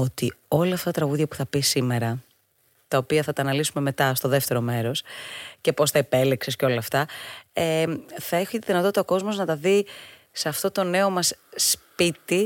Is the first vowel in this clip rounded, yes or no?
yes